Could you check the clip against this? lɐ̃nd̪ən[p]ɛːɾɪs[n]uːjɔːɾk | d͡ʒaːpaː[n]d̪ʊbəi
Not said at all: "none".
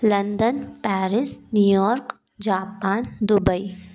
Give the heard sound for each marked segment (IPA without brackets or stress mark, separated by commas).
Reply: p, n, n